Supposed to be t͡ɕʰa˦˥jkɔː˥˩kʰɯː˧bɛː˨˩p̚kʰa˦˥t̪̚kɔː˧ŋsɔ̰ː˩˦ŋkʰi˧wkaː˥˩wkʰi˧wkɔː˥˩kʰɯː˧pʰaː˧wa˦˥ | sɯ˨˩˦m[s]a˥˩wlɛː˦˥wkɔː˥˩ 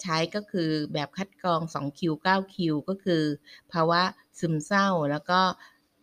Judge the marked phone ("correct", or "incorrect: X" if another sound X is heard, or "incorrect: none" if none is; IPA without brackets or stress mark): correct